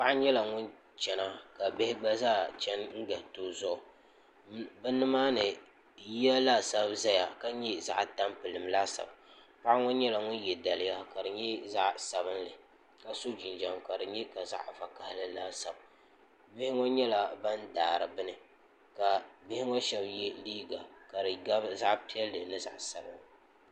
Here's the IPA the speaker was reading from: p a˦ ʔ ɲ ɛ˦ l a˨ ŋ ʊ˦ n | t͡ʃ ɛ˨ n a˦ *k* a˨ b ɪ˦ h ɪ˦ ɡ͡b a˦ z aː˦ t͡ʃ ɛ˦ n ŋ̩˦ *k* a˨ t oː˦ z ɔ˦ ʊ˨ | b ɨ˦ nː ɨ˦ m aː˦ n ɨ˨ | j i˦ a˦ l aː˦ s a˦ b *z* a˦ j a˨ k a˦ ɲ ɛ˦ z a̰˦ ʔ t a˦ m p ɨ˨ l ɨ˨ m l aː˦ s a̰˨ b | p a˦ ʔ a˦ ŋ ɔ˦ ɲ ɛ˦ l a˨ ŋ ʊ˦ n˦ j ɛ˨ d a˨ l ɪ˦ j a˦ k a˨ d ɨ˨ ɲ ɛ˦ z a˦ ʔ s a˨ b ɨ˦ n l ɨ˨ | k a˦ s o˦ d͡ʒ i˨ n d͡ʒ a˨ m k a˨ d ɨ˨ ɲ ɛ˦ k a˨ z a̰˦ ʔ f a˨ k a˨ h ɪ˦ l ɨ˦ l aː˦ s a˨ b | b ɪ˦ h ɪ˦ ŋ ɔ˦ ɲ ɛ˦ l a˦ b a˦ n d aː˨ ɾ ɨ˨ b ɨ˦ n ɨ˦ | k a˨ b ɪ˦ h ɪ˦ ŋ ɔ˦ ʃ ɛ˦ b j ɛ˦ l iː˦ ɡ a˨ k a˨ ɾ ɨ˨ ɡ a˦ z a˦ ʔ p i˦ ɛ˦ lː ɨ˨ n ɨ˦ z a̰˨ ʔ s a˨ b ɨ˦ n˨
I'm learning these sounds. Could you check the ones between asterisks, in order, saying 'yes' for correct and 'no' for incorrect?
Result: yes, no, yes

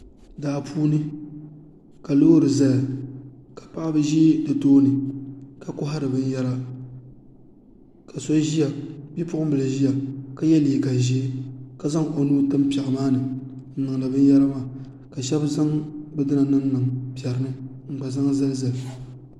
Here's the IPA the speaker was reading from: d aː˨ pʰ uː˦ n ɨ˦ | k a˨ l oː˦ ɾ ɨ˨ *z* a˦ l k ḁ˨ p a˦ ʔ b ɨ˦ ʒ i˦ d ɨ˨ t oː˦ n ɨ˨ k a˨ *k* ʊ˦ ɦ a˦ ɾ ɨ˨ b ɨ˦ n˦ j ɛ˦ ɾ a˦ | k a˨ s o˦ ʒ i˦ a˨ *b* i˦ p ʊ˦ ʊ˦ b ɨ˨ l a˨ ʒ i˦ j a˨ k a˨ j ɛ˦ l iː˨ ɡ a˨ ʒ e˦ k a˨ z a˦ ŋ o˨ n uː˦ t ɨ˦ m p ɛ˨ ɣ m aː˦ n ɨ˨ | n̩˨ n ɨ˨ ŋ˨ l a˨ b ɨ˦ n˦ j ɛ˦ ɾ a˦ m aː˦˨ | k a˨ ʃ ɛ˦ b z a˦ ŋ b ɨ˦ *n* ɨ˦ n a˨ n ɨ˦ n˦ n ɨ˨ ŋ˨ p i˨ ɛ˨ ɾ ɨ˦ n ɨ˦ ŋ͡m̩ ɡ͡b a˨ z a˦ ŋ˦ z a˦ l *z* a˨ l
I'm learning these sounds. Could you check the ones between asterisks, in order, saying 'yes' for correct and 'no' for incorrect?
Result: yes, yes, yes, no, yes

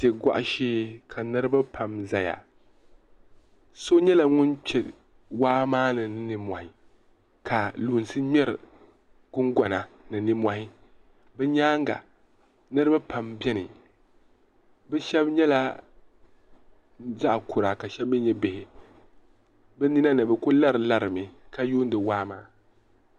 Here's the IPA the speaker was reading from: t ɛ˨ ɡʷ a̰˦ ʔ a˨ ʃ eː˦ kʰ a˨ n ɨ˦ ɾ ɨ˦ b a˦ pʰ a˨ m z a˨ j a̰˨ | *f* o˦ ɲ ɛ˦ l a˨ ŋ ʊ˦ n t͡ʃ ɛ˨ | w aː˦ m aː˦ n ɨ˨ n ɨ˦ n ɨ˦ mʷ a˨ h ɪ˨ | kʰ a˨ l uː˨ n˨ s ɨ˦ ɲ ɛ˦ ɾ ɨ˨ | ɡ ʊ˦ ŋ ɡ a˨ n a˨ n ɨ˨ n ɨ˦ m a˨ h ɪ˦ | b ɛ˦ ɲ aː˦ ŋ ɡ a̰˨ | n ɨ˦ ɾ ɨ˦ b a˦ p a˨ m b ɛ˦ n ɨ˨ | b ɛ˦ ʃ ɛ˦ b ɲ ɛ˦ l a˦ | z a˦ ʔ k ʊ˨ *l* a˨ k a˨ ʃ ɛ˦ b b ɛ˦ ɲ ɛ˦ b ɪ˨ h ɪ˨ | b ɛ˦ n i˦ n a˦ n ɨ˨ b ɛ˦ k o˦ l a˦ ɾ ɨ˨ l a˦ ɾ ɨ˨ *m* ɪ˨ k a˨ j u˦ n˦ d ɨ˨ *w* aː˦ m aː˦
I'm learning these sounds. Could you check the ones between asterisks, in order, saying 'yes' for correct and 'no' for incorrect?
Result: no, no, yes, yes

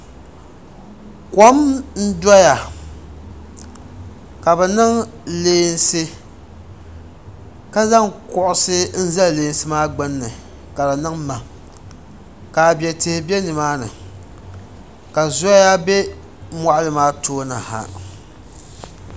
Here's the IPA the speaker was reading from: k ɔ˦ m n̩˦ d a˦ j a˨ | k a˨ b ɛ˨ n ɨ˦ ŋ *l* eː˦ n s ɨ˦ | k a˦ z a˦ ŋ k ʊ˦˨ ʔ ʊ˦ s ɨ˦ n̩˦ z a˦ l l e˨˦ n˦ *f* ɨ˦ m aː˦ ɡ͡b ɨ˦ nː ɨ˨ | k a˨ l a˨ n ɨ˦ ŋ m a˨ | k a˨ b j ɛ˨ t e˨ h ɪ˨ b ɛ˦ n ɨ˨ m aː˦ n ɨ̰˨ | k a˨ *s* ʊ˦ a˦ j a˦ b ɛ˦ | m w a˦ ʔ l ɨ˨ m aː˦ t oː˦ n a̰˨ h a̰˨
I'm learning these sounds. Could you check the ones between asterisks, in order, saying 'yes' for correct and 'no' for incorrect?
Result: yes, no, no

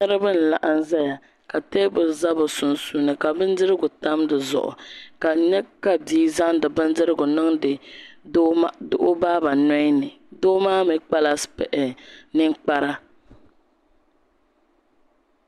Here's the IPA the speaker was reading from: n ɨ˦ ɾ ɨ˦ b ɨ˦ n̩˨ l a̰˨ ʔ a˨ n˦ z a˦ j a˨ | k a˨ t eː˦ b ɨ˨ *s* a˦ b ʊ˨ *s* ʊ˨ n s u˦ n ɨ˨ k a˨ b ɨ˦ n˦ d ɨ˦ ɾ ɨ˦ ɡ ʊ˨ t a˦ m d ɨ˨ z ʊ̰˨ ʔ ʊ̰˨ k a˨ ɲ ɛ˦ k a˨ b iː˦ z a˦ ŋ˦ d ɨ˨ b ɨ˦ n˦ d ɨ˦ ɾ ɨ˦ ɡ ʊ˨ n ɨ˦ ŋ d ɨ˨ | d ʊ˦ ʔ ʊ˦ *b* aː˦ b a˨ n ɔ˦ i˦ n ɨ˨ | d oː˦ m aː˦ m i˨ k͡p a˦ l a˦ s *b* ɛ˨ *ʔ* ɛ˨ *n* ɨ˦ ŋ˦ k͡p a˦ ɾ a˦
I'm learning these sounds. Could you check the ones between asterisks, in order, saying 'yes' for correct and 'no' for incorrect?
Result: no, yes, yes, no, yes, yes

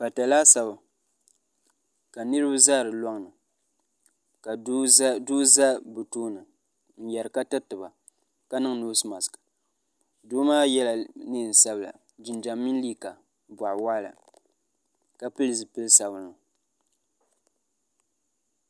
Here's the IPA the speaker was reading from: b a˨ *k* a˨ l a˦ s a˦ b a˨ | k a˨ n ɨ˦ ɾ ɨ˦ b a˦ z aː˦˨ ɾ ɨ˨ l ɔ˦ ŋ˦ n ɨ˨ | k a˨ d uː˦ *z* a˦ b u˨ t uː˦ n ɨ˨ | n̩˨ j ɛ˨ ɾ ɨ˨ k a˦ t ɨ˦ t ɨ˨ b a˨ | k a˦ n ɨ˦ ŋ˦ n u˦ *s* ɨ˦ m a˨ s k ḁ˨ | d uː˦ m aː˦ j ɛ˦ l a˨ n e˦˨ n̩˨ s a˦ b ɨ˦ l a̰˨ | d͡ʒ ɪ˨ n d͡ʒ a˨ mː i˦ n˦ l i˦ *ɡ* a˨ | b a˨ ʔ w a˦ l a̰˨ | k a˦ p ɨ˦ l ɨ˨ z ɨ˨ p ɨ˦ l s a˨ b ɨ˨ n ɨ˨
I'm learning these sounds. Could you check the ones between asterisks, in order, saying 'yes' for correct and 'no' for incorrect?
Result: no, yes, yes, no

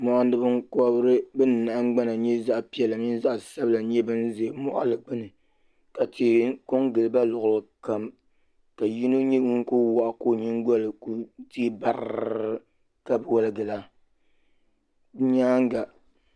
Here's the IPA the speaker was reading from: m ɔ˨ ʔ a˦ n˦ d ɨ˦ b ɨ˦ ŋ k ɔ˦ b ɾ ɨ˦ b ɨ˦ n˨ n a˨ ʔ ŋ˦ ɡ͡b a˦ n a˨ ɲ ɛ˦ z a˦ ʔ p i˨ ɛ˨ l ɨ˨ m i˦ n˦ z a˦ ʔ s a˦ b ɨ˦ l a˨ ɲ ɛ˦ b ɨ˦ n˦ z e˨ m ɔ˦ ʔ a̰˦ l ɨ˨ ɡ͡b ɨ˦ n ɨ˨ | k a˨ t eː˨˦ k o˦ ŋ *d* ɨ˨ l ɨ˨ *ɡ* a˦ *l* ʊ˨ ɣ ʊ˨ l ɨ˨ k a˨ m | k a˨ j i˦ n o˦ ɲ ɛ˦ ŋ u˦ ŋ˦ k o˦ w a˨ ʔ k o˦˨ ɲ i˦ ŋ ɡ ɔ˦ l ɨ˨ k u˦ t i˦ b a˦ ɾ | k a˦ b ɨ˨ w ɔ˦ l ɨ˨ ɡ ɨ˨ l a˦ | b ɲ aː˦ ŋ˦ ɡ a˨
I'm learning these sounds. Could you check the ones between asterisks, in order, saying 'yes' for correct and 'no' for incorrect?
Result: no, no, yes

